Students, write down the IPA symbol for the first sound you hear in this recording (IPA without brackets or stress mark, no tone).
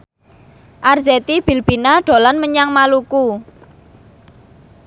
ʔ